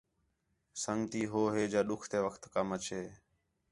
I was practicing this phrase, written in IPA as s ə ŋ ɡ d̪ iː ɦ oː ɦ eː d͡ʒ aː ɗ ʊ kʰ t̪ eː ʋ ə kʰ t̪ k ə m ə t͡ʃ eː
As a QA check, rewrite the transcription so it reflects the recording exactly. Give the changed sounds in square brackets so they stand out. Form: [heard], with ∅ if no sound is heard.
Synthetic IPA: s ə ŋ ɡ [t̪] iː ɦ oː ɦ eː d͡ʒ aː ɗ ʊ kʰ t̪ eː ʋ ə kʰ t̪ k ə m ə t͡ʃ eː